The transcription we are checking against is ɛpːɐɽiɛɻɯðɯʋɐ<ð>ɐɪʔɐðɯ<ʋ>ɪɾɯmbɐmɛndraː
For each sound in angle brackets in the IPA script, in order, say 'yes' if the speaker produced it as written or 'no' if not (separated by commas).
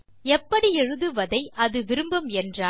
yes, yes